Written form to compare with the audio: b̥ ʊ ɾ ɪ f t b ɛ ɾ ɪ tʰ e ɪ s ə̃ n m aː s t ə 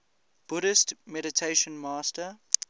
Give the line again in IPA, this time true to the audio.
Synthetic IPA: b̥ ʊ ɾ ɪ s t m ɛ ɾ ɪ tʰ e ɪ ʃ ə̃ n m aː s t ə

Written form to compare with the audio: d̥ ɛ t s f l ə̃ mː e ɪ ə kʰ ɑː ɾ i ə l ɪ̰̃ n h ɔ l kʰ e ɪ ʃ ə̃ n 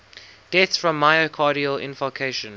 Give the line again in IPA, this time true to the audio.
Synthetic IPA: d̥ ɛ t s f ɹ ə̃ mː a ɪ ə kʰ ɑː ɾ i ə l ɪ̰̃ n f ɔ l kʰ e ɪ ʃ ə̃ n

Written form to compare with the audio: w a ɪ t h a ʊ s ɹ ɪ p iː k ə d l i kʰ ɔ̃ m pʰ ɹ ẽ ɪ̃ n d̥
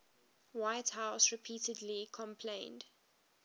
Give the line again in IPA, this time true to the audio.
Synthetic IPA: w a ɪ t h a ʊ s ɹ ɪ pʰ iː t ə d l i kʰ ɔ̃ m pʰ l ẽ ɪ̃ n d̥

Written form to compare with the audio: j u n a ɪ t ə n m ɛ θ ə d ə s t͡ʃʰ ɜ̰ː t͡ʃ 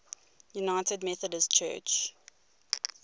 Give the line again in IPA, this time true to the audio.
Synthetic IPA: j u n a ɪ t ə d m ɛ θ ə d ə s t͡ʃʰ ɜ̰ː t͡ʃ

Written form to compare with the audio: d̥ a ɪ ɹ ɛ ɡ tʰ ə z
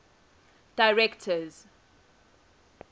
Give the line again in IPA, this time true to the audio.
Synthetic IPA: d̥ a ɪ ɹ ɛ k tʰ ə z

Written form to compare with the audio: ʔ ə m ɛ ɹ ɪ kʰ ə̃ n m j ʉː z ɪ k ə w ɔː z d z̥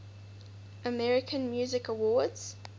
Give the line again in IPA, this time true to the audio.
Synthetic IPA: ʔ ə m ɛ ɹ ɪ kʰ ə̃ n m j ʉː z ɪ k ə w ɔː d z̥

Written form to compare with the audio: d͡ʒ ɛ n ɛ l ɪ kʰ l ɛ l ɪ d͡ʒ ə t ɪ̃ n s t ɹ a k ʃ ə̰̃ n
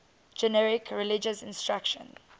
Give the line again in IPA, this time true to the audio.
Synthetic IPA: d͡ʒ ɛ n ɛ ɹ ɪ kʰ ɹ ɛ l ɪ d͡ʒ ə s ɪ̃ n s t ɹ a k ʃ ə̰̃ n

